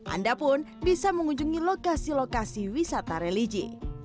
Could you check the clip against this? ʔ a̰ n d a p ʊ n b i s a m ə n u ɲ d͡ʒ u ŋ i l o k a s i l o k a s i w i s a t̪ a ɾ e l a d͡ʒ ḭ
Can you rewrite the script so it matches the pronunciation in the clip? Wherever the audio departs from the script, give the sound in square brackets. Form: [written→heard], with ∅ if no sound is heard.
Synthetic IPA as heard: ʔ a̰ n d a p ʊ n b i s a m ə [n→ŋ] u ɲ d͡ʒ u ŋ i l o k a s i l o k a s i w i s a t̪ a ɾ e l [a→i] d͡ʒ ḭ